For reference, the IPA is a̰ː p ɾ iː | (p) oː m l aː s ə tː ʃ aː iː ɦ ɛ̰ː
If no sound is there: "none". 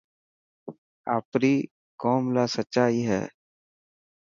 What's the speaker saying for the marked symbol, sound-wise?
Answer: k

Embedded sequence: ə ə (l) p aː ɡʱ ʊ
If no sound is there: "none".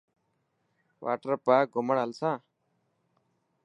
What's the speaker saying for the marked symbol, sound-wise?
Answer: ɾ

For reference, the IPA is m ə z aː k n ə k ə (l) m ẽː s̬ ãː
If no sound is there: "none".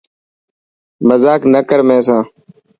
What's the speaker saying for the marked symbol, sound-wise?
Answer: ɾ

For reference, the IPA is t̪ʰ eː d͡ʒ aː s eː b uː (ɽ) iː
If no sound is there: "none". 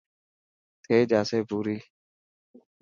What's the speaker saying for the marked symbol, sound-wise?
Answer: ɾ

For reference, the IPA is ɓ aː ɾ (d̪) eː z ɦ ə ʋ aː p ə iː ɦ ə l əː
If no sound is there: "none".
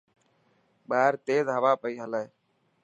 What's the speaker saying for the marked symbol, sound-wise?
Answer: t̪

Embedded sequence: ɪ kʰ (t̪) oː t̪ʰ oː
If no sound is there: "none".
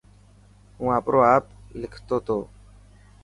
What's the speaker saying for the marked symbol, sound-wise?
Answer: t̪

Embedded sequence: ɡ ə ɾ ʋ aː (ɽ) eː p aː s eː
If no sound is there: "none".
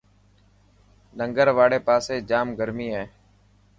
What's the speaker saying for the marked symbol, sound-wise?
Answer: ɽ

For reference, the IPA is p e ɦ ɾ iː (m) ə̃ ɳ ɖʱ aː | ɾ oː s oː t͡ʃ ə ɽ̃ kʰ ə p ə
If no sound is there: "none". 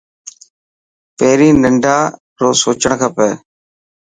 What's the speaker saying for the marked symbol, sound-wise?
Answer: n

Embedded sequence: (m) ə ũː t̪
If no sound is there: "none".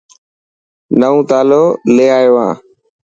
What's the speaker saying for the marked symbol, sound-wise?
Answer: n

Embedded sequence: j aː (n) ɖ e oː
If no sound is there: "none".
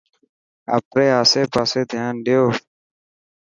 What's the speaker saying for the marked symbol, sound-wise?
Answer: n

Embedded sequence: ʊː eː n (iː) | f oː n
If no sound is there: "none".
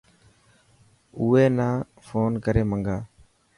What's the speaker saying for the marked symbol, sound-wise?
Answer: aː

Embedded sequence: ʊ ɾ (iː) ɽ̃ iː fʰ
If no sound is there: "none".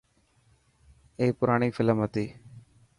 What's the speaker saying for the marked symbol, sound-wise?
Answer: aː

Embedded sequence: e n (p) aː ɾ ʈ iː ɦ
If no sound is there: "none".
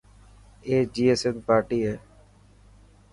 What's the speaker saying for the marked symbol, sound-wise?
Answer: p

